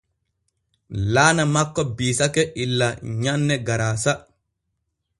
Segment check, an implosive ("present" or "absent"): absent